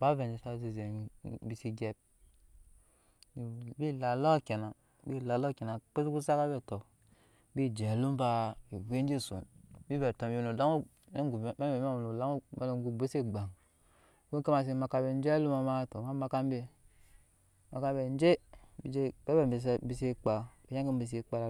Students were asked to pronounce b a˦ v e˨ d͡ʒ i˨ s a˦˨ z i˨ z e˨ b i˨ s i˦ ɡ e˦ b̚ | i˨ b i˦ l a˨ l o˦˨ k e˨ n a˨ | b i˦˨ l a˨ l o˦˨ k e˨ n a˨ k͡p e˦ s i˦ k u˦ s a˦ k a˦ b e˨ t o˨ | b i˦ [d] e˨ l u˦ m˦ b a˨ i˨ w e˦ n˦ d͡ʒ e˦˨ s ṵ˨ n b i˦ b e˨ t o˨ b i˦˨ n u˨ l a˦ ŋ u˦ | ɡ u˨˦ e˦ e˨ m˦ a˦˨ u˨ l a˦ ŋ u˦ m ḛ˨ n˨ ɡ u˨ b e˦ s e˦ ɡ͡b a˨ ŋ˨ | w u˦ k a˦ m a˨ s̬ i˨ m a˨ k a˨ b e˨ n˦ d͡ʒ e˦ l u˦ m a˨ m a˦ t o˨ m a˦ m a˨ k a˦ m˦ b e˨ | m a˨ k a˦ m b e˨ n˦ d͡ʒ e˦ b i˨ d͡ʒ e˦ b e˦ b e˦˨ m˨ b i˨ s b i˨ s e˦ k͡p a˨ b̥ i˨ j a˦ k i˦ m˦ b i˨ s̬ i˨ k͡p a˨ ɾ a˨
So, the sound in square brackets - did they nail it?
no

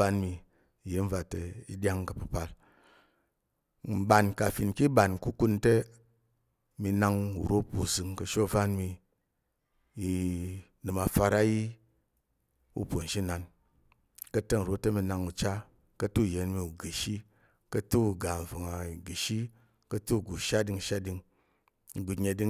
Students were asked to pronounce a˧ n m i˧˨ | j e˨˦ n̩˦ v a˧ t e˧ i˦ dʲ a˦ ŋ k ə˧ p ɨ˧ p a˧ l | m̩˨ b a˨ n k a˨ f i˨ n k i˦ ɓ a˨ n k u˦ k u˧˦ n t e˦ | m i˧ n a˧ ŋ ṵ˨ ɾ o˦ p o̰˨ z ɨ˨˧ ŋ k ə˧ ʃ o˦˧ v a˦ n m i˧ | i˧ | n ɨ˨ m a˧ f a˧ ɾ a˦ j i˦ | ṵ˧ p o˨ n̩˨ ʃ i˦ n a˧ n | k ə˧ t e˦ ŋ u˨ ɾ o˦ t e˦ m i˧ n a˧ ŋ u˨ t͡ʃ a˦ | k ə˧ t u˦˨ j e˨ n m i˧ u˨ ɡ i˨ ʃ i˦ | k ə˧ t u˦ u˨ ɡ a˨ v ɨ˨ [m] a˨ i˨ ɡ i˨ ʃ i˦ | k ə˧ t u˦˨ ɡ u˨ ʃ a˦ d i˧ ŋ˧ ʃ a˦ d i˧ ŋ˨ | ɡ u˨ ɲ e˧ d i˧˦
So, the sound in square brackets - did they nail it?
no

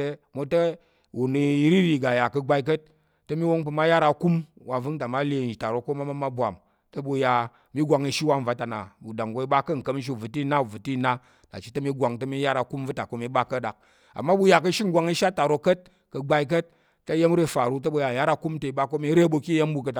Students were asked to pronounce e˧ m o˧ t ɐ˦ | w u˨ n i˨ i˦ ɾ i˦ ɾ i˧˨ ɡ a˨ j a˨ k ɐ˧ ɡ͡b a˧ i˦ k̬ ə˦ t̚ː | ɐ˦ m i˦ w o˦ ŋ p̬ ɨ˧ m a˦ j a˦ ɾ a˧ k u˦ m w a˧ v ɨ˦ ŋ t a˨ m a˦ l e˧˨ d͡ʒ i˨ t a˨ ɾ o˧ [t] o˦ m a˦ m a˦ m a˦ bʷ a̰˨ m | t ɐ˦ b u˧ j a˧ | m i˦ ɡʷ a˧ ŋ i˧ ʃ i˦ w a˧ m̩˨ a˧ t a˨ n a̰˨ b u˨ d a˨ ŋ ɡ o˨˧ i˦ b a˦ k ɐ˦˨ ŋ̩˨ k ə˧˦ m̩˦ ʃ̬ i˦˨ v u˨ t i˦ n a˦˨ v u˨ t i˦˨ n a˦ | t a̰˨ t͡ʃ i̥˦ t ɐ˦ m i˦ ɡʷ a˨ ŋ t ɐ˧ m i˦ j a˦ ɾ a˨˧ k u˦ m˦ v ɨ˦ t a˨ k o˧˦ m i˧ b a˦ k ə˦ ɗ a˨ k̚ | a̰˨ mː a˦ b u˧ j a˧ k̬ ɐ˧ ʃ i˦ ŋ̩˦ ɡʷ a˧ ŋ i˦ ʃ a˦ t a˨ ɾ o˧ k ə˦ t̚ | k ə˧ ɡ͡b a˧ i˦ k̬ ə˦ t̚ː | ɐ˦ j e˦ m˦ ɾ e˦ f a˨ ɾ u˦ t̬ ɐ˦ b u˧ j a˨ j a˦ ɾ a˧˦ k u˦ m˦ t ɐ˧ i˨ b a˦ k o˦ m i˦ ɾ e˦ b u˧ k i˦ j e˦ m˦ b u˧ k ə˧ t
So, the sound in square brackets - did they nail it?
no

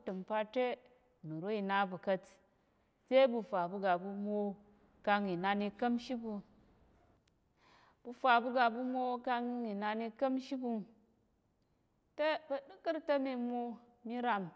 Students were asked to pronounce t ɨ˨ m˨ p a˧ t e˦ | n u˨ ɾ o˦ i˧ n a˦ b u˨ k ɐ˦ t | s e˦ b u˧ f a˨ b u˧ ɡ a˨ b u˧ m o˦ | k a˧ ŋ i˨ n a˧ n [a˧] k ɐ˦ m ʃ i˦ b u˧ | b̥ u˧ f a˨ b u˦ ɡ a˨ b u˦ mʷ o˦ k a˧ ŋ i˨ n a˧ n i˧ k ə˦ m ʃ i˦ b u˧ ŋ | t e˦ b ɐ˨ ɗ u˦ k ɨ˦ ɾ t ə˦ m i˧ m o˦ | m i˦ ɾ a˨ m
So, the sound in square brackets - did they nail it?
no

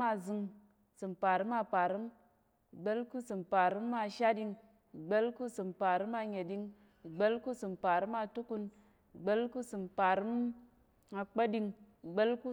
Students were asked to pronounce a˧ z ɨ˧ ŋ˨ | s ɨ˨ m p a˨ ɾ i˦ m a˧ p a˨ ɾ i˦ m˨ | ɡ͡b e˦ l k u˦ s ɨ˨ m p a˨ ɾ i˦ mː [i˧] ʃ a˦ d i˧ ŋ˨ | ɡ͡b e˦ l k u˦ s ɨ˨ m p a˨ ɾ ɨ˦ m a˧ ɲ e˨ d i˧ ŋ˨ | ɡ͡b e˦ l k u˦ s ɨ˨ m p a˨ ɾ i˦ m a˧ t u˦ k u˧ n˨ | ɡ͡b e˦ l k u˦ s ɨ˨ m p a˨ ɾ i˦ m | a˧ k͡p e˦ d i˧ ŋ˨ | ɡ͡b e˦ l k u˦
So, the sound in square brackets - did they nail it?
no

